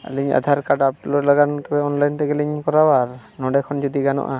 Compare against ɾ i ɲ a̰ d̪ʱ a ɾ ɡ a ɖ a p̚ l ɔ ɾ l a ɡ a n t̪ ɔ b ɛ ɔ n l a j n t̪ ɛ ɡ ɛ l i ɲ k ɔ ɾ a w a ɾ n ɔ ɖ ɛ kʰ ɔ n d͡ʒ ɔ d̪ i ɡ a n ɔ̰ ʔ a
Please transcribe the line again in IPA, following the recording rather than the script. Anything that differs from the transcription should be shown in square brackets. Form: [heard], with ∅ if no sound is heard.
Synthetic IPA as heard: [l] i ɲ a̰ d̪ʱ a ɾ [k] a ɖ a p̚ l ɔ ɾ l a ɡ a n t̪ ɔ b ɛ ɔ n l a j n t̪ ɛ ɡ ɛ l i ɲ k ɔ ɾ a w a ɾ n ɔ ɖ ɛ kʰ ɔ n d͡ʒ ɔ d̪ i ɡ a n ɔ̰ ʔ a